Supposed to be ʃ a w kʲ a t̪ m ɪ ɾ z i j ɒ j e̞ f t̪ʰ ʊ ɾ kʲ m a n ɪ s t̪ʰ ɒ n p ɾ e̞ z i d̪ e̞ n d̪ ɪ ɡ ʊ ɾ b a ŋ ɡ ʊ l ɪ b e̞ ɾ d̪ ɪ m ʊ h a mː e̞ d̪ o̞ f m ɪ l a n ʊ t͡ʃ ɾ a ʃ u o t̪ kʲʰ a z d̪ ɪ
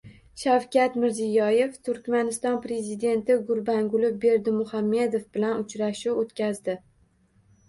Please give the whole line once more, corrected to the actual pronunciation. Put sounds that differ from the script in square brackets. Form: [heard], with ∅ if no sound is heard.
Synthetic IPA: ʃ a w kʲ a t̪ m ɪ ɾ z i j ɒ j e̞ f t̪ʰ ʊ ɾ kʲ m a n ɪ s [t̪] ɒ n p ɾ e̞ z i d̪ e̞ n [t̪] ɪ ɡ ʊ ɾ b a ŋ ɡ ʊ l ɪ b e̞ ɾ d̪ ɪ m ʊ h a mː e̞ d̪ o̞ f [b] ɪ l a n ʊ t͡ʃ ɾ a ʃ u o t̪ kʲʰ a z d̪ ɪ